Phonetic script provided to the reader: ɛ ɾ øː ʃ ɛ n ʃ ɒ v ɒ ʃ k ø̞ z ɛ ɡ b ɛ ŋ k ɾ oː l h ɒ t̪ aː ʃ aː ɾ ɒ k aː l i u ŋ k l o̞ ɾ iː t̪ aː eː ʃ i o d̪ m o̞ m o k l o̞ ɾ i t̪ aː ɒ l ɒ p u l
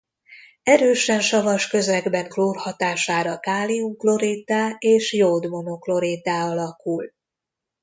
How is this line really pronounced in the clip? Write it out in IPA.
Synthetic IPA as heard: ɛ ɾ øː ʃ ɛ n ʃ ɒ v ɒ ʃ k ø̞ z ɛ ɡ b ɛ ŋ k l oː r h ɒ t̪ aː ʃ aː ɾ ɒ k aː l i u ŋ k l o̞ ɾ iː t̪ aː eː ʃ j o d̪ m o̞ n o k l o̞ ɾ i t̪ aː ɒ l ɒ k u l